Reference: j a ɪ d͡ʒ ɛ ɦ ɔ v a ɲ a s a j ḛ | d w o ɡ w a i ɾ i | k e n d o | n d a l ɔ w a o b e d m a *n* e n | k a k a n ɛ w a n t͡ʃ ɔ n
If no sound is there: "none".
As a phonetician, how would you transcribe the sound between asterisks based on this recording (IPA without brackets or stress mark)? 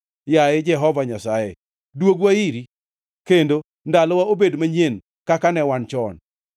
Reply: ɲ